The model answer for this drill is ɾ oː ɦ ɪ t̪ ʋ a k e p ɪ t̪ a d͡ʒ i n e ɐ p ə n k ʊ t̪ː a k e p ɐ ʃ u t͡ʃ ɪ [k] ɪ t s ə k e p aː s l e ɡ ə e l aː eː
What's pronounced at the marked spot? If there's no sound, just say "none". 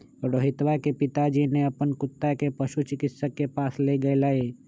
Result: k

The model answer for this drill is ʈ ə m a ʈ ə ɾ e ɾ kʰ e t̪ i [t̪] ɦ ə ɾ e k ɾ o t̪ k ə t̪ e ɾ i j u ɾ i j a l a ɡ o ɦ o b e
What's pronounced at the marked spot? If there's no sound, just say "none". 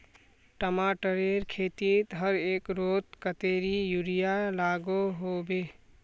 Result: t̪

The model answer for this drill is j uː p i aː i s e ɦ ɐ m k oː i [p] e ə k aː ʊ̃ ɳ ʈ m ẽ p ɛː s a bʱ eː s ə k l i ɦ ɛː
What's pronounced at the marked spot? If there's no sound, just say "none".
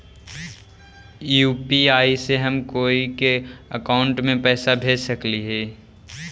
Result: k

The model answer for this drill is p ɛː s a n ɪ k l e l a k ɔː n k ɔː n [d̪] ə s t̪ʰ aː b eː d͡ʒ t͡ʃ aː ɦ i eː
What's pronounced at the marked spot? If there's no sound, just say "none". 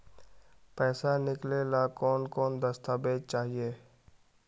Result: d̪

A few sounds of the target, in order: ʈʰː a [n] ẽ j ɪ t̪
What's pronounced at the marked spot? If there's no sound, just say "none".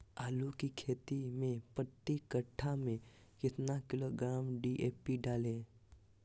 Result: m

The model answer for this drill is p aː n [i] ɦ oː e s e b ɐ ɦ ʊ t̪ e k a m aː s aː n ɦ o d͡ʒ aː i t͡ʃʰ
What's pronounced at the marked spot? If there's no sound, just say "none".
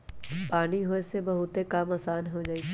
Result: i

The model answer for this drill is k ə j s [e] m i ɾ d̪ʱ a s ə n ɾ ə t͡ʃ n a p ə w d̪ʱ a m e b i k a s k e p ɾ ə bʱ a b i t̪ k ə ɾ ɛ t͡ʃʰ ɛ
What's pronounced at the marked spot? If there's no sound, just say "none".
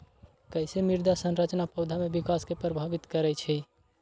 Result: e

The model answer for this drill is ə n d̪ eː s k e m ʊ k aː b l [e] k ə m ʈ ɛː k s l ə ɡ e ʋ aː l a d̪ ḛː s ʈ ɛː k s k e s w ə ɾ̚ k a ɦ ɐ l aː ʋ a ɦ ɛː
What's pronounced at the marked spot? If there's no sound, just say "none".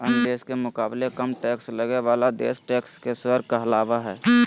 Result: e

